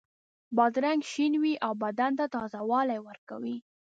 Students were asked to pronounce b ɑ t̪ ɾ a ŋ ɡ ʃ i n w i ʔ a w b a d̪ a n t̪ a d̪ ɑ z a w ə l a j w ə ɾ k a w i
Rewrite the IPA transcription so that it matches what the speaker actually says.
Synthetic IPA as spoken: b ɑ d̪ ɾ a ŋ ɡ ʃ i n w i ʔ a w b a d̪ a n t̪ a t̪ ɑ z a w ɑ l a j w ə ɾ k a w i